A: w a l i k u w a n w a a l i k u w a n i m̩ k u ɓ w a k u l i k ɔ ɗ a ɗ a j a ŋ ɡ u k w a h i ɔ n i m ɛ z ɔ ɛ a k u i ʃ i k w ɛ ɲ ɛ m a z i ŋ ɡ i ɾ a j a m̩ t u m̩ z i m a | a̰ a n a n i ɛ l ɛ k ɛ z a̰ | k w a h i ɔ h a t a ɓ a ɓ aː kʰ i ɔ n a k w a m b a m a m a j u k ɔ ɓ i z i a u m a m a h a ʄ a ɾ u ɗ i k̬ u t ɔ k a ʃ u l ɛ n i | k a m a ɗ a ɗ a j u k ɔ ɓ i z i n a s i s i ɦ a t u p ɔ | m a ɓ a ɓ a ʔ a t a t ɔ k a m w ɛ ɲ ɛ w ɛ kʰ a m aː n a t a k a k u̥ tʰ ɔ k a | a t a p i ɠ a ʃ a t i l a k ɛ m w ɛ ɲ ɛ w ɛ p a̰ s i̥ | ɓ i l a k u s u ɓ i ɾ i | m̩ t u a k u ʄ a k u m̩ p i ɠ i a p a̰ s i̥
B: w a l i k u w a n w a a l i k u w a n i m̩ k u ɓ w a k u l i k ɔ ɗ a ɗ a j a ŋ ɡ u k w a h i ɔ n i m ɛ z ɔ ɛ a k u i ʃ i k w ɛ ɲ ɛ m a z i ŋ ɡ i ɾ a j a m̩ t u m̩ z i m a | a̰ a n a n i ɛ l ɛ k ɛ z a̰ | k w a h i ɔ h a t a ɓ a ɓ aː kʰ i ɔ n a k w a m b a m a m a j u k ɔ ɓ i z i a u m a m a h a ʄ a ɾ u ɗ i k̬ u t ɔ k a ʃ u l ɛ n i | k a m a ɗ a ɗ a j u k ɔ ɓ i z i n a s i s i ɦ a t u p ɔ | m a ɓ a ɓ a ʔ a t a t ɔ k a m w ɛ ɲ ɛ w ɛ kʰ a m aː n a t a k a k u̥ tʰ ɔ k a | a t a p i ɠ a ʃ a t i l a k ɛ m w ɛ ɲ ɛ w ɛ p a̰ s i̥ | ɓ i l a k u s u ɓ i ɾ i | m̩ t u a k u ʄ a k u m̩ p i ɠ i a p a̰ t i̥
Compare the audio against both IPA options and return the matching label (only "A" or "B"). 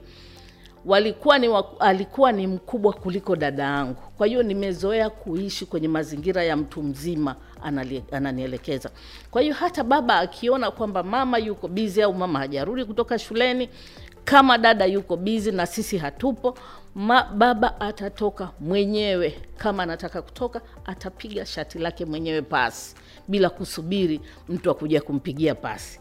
A